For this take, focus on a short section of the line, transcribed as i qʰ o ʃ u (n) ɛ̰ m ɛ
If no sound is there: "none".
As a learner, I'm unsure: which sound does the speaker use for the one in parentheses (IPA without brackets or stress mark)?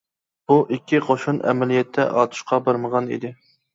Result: n